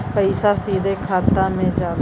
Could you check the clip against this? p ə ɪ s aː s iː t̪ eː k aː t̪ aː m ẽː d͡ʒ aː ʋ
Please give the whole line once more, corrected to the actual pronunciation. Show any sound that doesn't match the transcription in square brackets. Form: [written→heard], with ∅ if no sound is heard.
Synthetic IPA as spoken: p ə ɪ s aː s iː [t̪→d̪] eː [k→kʰ] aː t̪ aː m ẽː d͡ʒ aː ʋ